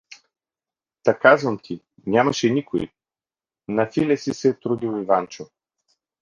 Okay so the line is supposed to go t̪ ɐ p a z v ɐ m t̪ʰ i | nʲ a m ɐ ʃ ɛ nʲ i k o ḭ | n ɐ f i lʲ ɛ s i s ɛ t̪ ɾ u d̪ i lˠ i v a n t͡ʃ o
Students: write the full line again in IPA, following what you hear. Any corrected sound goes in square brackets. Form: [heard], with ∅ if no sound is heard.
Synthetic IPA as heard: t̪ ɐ [k] a z v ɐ m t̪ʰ i | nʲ a m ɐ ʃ ɛ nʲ i k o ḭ | n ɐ f i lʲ ɛ s i s ɛ t̪ ɾ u d̪ i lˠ i v a n t͡ʃ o